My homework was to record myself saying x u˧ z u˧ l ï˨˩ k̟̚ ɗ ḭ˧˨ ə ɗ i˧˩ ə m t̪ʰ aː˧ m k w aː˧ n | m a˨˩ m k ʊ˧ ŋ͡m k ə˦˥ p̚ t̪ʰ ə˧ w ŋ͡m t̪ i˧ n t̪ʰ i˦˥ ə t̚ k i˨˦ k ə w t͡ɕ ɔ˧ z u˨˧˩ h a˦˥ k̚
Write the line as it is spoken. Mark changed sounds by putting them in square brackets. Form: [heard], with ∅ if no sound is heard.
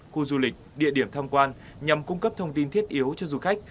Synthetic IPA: x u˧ z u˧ l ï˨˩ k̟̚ ɗ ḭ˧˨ ə ɗ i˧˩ ə m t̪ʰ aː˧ m k w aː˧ n | [ɲ] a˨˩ m k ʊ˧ ŋ͡m k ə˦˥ p̚ t̪ʰ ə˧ w ŋ͡m t̪ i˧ n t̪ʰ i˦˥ ə t̚ [ʔ] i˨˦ [∅] ə w t͡ɕ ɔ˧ z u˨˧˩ [x] a˦˥ k̚